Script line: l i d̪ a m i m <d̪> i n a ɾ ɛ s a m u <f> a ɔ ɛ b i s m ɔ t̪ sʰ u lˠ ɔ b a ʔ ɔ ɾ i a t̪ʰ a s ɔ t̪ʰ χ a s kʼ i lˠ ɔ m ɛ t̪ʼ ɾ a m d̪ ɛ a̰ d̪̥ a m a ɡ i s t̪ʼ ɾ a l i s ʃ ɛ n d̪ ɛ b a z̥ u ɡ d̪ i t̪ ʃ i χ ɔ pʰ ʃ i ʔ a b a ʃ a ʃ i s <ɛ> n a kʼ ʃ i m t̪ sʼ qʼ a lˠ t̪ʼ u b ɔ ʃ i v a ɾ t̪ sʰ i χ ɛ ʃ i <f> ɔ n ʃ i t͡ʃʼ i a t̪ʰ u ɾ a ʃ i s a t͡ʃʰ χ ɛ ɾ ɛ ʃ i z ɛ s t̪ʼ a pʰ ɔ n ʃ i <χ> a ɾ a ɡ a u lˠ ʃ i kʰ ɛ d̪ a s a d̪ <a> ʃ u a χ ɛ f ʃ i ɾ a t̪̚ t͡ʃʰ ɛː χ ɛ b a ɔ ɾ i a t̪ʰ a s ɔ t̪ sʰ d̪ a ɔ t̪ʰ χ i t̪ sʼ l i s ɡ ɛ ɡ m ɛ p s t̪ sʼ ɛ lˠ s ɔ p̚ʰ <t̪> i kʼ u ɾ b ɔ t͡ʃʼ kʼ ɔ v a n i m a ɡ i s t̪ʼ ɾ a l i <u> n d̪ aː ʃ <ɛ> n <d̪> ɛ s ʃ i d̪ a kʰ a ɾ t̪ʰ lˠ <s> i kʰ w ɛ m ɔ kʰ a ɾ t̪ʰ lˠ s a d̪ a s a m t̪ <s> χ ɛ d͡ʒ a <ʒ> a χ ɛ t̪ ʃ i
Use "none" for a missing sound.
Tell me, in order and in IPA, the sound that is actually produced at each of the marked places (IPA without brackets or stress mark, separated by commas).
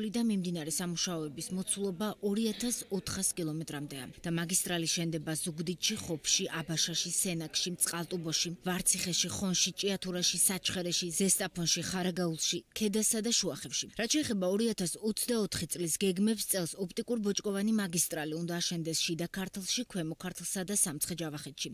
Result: d̪, ʃ, ɛ, χ, χ, a, t̪ʼ, u, ɛ, d̪, ʃ, s, v